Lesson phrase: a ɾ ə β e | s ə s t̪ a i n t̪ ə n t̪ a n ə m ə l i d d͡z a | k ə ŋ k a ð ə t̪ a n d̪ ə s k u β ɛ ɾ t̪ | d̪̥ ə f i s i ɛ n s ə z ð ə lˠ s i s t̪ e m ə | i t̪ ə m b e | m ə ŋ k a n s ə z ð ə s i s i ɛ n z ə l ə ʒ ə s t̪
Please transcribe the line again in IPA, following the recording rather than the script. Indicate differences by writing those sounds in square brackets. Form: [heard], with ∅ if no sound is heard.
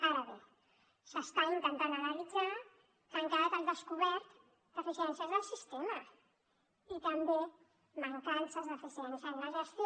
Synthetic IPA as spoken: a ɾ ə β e | s ə s t̪ a i n t̪ ə n t̪ a n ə [n] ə l i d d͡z a | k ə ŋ k a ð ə t̪ a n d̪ ə s k u β ɛ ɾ t̪ | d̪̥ ə f i s i ɛ n s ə z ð ə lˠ s i s t̪ e m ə | i t̪ ə m b e | m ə ŋ k a n s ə z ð ə [f] i s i ɛ n [s] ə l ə ʒ ə s t̪